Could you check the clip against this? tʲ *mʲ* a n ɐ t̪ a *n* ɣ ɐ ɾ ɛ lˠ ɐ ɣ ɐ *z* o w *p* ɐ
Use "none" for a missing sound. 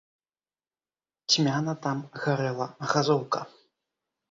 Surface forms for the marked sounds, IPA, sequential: mʲ, m, z, k

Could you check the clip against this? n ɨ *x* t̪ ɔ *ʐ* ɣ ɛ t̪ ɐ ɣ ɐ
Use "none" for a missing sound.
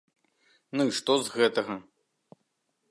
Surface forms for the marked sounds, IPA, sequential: ʂ, z

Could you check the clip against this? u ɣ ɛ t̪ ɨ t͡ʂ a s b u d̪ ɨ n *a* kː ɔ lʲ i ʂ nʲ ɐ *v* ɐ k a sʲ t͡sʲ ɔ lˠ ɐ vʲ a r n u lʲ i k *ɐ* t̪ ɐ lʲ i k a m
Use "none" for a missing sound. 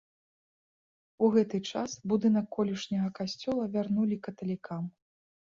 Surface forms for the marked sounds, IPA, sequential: ɐ, ɣ, ɐ

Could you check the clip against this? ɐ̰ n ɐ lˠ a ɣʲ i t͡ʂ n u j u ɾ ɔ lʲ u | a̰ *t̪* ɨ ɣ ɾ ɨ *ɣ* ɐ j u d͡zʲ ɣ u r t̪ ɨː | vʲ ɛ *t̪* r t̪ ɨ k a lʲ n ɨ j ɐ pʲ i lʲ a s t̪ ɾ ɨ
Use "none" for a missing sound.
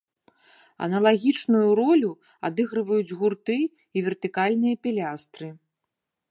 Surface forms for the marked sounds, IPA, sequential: d̪, v, none

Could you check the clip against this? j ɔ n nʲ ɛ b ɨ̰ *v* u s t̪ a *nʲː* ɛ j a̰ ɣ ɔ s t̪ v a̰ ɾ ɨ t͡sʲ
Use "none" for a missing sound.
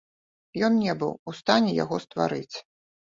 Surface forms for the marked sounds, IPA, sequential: w, nʲ

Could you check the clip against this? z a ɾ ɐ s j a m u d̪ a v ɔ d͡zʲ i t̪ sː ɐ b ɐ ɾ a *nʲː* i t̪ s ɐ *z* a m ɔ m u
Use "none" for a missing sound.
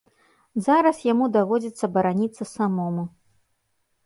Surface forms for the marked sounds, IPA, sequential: nʲ, s

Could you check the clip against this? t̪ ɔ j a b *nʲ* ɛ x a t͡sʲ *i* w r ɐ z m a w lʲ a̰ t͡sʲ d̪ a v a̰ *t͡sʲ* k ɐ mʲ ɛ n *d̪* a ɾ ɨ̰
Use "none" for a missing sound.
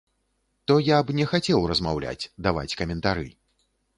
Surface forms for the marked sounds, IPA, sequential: nʲ, ɛ, t͡sʲ, t̪

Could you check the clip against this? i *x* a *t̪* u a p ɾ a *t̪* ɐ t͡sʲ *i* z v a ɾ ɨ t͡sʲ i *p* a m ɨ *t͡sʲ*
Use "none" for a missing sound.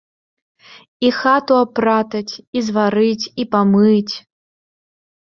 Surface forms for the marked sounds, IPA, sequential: x, t̪, t̪, i, p, t͡sʲ

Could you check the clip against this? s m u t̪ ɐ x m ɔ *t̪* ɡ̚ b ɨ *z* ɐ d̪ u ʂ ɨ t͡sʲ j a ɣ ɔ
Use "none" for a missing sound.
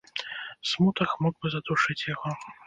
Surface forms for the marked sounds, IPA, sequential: none, z

